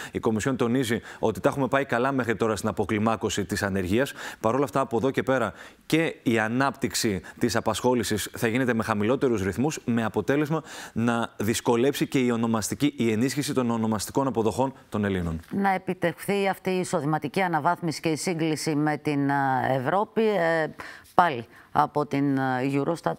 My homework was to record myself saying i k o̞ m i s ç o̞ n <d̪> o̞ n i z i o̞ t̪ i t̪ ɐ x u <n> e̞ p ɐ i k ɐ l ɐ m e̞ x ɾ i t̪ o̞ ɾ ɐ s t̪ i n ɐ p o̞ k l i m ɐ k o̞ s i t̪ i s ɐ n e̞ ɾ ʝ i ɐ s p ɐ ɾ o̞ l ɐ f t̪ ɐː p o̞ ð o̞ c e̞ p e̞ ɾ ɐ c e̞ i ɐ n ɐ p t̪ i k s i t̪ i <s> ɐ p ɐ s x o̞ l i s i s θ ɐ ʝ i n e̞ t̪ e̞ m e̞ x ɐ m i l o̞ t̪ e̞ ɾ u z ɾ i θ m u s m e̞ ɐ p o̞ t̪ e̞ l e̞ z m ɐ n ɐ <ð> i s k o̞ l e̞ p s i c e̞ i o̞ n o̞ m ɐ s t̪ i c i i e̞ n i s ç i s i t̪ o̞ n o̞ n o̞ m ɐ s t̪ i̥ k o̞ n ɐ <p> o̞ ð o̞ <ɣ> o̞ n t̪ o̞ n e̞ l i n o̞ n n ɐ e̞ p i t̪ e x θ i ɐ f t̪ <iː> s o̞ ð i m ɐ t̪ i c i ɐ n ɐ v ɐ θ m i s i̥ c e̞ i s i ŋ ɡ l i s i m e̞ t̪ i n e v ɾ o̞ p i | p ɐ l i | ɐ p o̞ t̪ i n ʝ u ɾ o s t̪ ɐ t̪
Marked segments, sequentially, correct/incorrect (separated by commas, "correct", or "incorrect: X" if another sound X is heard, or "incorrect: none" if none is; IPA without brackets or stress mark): incorrect: t̪, incorrect: m, correct, correct, correct, incorrect: x, correct